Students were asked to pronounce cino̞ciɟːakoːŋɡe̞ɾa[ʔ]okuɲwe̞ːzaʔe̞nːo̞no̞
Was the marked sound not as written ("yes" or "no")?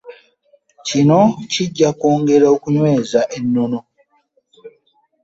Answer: yes